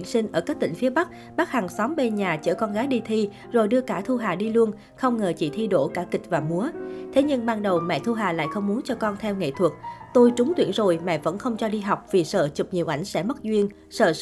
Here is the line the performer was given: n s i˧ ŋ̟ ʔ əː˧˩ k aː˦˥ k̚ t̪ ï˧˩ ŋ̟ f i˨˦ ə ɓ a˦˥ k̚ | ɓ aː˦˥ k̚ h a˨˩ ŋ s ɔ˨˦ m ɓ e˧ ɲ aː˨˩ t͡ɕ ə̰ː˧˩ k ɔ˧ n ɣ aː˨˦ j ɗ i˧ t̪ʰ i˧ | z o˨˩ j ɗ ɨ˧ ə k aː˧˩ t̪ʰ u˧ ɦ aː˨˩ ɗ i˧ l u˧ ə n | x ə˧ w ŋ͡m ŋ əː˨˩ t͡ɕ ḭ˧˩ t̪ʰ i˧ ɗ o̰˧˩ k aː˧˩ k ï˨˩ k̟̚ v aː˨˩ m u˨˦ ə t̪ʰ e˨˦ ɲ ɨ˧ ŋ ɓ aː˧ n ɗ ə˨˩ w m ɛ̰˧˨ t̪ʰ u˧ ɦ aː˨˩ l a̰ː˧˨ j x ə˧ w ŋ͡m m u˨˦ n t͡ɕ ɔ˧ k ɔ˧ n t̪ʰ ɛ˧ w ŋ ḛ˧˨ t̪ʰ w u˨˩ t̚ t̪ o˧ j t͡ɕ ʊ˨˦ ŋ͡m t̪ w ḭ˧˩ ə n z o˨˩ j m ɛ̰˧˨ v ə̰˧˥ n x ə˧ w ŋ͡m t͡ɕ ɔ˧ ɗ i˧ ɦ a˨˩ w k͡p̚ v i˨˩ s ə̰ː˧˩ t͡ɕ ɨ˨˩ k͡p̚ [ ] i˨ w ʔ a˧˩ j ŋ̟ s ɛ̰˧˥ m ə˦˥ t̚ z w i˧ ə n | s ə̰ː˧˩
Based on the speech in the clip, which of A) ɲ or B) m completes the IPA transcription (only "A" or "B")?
A